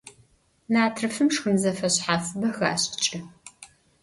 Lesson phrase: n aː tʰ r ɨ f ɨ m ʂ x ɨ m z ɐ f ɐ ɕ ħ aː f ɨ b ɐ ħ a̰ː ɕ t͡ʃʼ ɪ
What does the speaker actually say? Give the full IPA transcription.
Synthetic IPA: n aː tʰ r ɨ f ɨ m ʂ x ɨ m z ɐ f ɐ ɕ ħ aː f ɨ b ɐ x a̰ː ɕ t͡ʃʼ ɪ